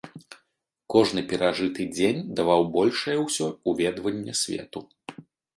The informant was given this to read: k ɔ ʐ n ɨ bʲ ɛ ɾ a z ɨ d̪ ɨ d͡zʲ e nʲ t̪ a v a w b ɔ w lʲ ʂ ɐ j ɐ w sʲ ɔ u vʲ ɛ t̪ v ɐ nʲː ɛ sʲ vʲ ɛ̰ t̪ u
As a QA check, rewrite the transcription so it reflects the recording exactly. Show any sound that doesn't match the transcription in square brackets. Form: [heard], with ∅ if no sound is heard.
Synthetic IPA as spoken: k ɔ ʐ n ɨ [pʲ] ɛ ɾ a [ʐ] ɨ [t̪] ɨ d͡zʲ e nʲ [d̪] a v a w b ɔ [∅] lʲ ʂ ɐ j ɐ w sʲ ɔ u vʲ ɛ [d̪] v ɐ nʲː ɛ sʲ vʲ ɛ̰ t̪ u

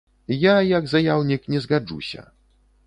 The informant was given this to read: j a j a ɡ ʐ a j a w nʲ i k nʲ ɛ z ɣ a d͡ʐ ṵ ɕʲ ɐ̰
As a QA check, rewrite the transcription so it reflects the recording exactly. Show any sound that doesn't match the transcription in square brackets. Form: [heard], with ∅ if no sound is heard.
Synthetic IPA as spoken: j a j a ɡ [z] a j a w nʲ i k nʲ ɛ z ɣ a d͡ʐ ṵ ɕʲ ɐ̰

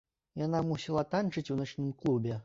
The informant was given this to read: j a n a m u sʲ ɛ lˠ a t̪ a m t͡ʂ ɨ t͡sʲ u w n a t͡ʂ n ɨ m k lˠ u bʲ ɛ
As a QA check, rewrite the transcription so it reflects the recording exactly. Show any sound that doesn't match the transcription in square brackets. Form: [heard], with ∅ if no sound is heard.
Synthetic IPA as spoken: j a n a m u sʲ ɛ lˠ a t̪ a [n] t͡ʂ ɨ t͡sʲ u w n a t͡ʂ n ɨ m k lˠ u bʲ ɛ

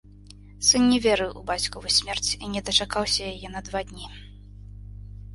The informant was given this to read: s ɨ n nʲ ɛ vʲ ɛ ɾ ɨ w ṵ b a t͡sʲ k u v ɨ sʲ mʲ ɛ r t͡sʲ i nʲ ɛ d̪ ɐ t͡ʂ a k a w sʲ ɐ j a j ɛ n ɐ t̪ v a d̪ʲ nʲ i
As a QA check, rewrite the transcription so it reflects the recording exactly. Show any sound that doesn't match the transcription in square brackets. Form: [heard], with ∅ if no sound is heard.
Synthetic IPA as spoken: s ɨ n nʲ ɛ vʲ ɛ ɾ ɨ w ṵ b a t͡sʲ k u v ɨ sʲ mʲ ɛ r t͡sʲ i nʲ ɛ d̪ ɐ t͡ʂ a k a w sʲ ɐ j a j ɛ n ɐ [d̪] v a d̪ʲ nʲ i

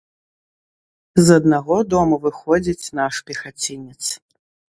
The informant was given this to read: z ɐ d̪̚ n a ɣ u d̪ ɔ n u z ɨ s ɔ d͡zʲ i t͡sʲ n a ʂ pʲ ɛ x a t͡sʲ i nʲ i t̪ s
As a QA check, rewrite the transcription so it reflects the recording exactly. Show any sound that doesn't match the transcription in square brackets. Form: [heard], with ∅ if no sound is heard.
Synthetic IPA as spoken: z ɐ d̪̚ n a ɣ [ɔ] d̪ ɔ [m] u [v] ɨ [x] ɔ d͡zʲ i t͡sʲ n a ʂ pʲ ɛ x a t͡sʲ i nʲ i t̪ s

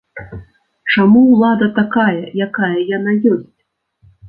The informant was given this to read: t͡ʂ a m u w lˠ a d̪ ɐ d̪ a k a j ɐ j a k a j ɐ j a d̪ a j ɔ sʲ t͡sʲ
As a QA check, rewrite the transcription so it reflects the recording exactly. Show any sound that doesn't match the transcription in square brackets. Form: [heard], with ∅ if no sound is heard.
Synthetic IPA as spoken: t͡ʂ a m u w lˠ a d̪ ɐ [t̪] a k a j ɐ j a k a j ɐ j a [n̪] a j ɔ sʲ t͡sʲ

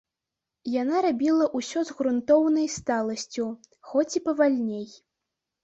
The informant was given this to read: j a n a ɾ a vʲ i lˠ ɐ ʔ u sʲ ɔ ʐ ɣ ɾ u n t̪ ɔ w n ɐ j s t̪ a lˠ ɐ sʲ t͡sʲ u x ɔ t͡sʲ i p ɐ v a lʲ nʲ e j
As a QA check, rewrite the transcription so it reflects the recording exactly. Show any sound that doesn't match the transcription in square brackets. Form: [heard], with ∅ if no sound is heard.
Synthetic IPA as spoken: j a n a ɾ a [bʲ] i lˠ ɐ ʔ u sʲ ɔ [z] ɣ ɾ u n t̪ ɔ w n ɐ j s t̪ a lˠ ɐ sʲ t͡sʲ u x ɔ t͡sʲ i p ɐ v a lʲ nʲ e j

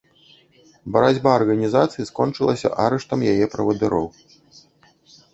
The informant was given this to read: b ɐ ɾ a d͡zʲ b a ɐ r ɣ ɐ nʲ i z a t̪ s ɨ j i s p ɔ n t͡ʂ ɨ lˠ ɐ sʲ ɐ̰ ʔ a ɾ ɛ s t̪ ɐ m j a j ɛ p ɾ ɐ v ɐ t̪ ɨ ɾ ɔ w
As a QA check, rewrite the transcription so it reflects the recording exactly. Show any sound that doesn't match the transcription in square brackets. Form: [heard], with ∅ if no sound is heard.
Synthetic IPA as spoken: b ɐ ɾ a d͡zʲ b a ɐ r ɣ ɐ nʲ i z a t̪ s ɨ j i s [k] ɔ n t͡ʂ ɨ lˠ ɐ sʲ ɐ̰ ʔ a ɾ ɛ [ʂ] t̪ ɐ m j a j ɛ p ɾ ɐ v ɐ [d̪] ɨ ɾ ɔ w

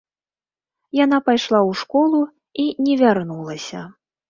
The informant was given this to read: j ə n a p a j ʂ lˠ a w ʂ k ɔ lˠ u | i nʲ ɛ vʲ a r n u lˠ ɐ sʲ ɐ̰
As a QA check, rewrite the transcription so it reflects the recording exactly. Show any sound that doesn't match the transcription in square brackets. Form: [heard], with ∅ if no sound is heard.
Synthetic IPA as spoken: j [a] n a p a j ʂ lˠ a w ʂ k ɔ lˠ u | i nʲ ɛ vʲ a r n u lˠ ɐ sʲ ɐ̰

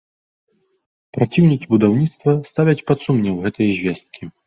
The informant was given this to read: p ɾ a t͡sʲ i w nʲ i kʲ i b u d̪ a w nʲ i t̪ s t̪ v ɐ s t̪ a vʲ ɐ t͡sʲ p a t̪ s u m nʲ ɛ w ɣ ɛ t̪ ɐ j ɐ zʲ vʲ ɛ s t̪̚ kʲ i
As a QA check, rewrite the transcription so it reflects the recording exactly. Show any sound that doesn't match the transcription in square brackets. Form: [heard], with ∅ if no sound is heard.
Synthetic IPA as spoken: p ɾ a t͡sʲ i w nʲ i kʲ i b u d̪ a w nʲ i t̪ s t̪ v ɐ s t̪ a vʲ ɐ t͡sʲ p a t̪ s u m nʲ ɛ w ɣ ɛ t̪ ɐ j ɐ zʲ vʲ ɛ s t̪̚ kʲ i

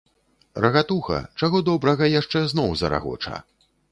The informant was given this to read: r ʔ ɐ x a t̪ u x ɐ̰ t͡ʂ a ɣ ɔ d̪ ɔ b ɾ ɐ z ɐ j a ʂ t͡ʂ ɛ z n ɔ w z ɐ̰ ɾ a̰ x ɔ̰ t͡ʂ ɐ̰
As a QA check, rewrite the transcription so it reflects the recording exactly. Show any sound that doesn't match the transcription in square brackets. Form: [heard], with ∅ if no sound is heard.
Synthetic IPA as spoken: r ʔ ɐ [ɣ] a t̪ u x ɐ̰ t͡ʂ a ɣ ɔ d̪ ɔ b ɾ ɐ [ɣ] ɐ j a ʂ t͡ʂ ɛ z n ɔ w z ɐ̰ ɾ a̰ [ɣ] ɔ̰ t͡ʂ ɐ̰

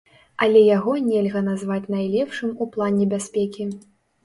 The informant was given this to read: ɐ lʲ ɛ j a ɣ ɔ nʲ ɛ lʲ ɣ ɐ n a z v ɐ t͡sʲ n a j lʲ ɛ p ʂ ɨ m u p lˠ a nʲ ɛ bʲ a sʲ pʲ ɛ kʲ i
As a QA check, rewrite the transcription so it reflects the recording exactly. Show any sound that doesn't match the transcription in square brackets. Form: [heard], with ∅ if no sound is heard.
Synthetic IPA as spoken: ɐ lʲ ɛ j a ɣ ɔ nʲ ɛ lʲ ɣ ɐ n a z v [a] t͡sʲ n a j lʲ ɛ p ʂ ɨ m u p lˠ a nʲ ɛ bʲ a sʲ pʲ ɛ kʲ i

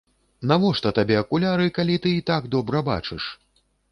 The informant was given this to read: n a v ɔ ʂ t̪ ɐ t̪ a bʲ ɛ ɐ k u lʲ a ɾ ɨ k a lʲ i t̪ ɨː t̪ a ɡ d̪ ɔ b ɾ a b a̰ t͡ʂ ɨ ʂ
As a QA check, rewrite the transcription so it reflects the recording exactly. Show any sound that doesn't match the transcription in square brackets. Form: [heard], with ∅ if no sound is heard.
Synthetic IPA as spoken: n a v ɔ ʂ t̪ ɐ t̪ a bʲ ɛ ɐ k u lʲ a ɾ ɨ k a lʲ i t̪ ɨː t̪ a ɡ d̪ ɔ b ɾ [ɐ] b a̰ t͡ʂ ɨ ʂ

